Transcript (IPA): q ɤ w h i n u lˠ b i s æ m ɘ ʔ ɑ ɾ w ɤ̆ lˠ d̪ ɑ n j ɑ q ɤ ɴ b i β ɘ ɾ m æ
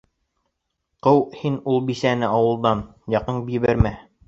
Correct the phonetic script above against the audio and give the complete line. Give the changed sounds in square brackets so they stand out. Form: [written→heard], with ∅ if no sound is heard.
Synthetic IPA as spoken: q ɤ w h i n u lˠ b i s æ [m→n] ɘ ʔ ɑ [ɾ→∅] w ɤ̆ lˠ d̪ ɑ n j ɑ q ɤ ɴ b i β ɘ ɾ m æ